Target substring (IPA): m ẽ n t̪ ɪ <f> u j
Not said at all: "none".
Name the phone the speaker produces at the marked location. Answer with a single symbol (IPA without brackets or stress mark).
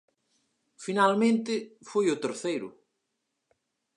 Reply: f